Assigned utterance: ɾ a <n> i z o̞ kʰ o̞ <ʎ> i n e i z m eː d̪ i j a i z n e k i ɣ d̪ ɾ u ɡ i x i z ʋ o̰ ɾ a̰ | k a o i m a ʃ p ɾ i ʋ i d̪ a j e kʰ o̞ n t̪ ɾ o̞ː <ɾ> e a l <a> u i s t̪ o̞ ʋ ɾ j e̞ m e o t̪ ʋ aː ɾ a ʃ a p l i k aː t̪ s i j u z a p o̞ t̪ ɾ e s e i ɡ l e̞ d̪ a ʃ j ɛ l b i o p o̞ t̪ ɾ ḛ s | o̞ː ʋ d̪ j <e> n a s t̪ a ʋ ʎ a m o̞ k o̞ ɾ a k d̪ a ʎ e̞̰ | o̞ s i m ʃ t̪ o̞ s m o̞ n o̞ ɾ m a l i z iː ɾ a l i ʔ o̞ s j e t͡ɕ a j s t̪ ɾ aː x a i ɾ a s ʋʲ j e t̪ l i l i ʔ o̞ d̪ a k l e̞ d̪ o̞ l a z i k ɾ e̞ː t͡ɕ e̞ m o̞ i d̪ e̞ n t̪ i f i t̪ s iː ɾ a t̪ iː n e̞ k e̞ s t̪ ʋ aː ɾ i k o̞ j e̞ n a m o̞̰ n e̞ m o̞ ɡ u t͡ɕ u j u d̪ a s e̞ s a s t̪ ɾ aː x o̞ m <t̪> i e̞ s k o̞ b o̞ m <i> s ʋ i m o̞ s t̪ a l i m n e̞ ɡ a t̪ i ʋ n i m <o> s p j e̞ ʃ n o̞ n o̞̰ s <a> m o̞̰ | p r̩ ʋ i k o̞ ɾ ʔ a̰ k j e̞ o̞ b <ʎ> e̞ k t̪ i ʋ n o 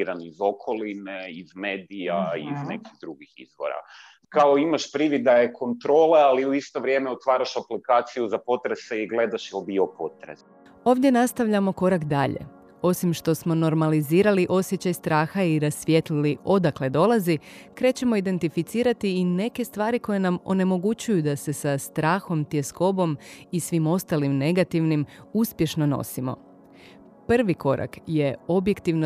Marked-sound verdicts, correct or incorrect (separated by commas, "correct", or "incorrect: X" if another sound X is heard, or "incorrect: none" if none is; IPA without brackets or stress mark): correct, incorrect: l, incorrect: l, incorrect: i, correct, correct, correct, incorrect: u, incorrect: i, incorrect: j